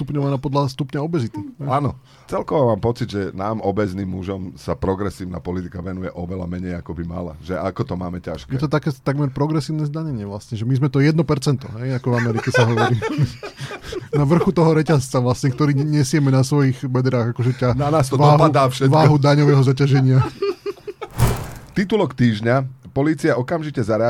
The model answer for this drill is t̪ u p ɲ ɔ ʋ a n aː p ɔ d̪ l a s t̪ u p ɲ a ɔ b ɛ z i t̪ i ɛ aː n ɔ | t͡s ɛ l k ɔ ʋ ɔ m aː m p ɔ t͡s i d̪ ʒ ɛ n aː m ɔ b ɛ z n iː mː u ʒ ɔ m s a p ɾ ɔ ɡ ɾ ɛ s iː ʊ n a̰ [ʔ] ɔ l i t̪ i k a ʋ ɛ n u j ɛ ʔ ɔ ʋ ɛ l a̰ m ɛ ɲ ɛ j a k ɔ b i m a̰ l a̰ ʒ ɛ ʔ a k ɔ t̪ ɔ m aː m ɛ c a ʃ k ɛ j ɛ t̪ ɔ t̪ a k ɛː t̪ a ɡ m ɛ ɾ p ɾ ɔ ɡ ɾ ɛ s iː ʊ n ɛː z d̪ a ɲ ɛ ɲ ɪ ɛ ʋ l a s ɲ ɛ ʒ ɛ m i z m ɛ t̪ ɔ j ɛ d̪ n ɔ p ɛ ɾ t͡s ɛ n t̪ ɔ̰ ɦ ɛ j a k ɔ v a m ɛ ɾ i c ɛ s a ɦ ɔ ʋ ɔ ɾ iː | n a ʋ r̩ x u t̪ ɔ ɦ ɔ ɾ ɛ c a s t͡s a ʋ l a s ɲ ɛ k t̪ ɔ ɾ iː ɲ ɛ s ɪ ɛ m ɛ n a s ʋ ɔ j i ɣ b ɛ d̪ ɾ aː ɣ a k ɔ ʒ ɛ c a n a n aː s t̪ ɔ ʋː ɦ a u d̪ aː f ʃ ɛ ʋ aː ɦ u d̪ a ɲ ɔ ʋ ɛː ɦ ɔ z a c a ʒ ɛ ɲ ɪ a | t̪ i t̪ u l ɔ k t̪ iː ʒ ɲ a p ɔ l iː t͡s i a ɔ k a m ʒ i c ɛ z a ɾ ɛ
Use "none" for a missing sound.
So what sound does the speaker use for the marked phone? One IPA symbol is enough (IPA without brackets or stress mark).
p